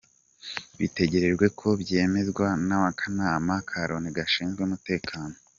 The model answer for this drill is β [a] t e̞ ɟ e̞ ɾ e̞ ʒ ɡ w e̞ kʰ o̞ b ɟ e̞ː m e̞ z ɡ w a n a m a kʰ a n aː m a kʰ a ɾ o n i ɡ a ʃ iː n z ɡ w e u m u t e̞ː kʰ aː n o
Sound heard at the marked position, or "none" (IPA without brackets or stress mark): i